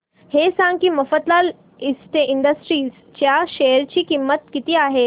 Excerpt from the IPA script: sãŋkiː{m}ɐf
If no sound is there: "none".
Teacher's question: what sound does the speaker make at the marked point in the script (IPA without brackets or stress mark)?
m